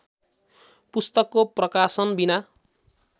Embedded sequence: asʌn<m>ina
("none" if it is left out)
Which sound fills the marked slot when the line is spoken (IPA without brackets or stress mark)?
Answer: b